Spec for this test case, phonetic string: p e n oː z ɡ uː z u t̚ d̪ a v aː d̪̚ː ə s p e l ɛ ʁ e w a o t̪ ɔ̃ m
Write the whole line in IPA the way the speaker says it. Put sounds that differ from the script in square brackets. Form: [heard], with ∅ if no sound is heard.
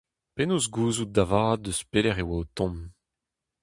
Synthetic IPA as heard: p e n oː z ɡ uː z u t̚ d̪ a v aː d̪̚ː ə s p e l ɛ ʁ e w a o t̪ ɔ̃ m